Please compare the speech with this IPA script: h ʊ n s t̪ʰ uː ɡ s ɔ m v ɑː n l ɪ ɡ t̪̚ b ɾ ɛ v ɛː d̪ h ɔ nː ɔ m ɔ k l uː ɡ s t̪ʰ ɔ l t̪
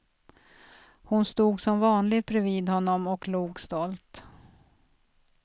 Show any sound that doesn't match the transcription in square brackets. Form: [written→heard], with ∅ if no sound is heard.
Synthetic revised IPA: h ʊ n s [t̪ʰ→t̪] uː ɡ s ɔ m v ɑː n l ɪ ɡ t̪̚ b ɾ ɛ v [ɛː→iː] d̪ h ɔ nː ɔ m ɔ k l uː ɡ s [t̪ʰ→t̪] ɔ l t̪